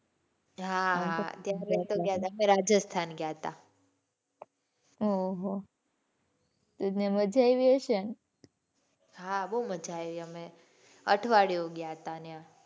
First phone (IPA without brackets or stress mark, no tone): ɦ